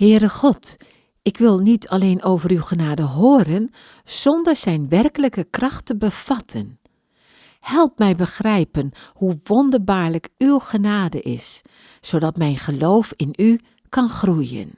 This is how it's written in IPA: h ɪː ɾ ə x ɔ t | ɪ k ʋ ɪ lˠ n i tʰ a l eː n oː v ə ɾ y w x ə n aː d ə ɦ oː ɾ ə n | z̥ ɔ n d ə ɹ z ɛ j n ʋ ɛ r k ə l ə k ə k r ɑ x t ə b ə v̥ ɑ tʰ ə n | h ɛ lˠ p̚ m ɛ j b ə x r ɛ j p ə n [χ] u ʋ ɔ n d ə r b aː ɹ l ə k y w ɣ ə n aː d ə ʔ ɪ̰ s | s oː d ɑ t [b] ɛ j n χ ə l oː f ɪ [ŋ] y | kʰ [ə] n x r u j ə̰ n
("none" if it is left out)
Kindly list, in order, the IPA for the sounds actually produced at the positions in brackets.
h, m, n, ɑ

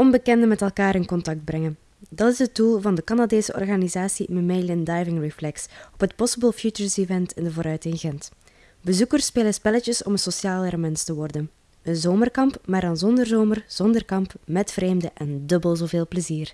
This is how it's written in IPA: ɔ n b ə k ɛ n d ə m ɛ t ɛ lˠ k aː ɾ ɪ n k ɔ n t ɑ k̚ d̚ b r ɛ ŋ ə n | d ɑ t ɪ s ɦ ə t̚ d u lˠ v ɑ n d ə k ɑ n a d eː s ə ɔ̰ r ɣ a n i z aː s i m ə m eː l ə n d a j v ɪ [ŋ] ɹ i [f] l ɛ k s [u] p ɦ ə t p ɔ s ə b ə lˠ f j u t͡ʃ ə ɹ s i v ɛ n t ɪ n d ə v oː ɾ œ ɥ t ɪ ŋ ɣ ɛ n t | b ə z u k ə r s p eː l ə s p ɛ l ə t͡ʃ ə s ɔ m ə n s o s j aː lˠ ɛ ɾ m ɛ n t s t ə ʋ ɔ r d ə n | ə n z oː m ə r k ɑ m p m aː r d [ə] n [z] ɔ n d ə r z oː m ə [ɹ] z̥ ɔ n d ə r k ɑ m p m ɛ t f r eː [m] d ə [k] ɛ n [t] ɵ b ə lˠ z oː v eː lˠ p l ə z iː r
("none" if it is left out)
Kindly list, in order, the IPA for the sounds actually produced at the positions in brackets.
ŋ, f, ɔ, ɑ, z, r, m, ʔ, d

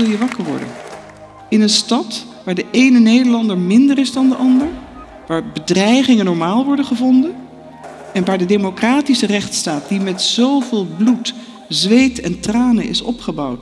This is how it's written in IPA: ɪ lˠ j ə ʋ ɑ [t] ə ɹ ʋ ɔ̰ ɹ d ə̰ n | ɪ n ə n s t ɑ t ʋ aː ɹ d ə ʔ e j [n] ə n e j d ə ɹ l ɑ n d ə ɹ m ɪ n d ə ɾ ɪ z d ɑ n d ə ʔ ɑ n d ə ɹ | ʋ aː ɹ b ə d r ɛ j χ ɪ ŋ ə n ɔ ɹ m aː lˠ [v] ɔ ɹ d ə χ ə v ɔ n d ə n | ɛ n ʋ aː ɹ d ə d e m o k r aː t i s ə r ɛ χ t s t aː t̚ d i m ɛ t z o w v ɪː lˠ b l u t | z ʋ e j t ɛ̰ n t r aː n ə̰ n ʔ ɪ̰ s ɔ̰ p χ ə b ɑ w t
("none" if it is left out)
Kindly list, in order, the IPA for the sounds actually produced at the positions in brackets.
k, n, ʋ

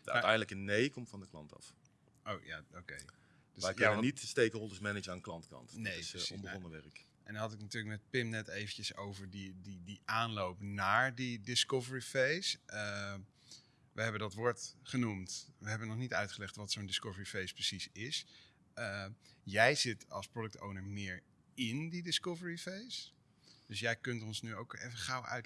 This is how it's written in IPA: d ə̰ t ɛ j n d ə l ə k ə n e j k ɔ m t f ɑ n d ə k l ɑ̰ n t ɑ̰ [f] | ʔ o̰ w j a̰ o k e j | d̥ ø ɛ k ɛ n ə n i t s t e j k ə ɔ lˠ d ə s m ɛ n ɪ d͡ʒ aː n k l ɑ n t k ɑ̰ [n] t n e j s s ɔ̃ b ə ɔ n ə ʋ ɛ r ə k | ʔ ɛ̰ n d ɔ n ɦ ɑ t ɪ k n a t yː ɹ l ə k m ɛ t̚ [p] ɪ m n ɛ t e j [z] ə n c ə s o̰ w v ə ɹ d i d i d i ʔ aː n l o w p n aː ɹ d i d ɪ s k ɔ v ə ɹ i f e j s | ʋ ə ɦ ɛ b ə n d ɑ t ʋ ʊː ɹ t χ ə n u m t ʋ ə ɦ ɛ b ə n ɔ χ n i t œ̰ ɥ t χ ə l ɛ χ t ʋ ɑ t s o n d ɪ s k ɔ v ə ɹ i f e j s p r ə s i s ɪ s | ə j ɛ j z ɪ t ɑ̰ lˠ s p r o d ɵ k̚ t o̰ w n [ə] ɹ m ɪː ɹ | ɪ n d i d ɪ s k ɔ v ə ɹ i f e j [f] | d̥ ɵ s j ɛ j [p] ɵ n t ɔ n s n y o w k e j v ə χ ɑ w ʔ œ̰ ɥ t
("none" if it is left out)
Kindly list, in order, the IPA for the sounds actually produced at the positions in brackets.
f, n, p, v, ə, s, k

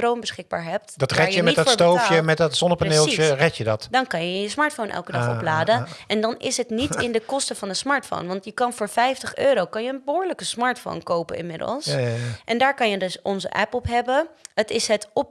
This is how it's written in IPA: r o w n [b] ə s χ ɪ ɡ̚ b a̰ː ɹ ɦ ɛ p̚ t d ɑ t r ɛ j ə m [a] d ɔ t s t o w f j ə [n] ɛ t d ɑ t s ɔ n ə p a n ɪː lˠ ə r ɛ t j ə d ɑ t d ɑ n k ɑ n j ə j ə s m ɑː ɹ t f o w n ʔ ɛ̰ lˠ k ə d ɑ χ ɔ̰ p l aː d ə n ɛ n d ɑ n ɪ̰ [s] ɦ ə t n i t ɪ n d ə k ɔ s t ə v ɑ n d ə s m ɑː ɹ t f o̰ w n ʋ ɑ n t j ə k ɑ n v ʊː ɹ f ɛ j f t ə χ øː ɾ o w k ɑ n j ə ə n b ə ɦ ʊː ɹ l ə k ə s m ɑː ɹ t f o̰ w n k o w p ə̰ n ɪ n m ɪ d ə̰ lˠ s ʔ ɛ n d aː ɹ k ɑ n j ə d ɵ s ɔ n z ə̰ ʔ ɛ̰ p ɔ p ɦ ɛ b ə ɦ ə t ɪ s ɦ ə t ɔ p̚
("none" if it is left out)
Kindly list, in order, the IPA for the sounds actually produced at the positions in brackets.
b, ɛ, m, s

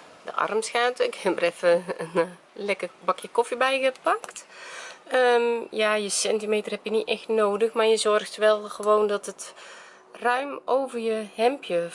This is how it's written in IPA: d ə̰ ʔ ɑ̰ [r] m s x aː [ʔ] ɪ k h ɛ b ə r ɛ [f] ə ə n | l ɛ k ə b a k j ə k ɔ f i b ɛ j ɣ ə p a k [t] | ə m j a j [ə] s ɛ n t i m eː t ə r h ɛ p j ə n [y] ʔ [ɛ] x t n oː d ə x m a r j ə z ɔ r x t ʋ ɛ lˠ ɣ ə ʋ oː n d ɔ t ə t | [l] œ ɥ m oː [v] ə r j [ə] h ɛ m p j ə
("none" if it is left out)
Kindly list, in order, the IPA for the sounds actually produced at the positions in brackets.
r, t, f, t, ə, i, ɛ, r, v, ə

